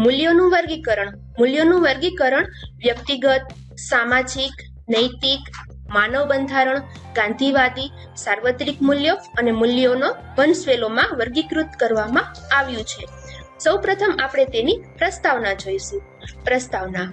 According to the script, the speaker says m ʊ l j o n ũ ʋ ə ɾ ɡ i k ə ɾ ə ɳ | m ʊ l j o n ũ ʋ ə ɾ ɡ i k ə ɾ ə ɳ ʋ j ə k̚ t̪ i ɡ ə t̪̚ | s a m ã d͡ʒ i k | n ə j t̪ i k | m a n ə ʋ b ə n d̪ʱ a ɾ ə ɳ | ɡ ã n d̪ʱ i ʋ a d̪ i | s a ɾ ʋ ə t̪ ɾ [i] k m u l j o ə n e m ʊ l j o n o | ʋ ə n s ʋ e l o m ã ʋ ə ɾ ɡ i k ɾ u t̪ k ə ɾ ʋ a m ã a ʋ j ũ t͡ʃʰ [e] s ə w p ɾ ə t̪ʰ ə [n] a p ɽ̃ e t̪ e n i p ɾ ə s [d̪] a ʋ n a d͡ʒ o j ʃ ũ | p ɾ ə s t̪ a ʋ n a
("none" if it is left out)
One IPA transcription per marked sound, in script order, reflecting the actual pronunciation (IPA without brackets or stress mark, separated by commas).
i, e, m, t̪